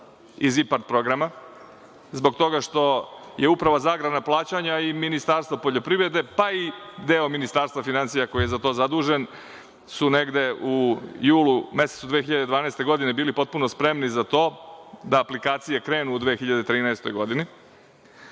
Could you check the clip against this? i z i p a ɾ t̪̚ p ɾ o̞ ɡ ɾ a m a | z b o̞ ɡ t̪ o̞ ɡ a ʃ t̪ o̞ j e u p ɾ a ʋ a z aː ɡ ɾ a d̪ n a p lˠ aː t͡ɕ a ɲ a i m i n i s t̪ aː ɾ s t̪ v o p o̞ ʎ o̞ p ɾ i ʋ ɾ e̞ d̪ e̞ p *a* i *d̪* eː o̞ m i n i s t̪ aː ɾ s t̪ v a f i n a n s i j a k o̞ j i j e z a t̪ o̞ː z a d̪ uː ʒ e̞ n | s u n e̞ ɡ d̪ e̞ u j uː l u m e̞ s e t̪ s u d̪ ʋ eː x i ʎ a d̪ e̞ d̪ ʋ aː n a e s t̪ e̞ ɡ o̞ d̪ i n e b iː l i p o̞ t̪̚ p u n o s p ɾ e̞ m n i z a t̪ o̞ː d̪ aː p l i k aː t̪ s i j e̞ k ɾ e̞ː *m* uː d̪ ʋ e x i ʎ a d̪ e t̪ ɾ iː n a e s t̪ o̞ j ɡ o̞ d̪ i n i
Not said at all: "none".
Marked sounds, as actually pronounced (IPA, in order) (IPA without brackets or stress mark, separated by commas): a, d̪, n